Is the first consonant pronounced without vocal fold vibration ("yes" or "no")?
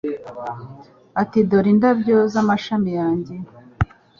yes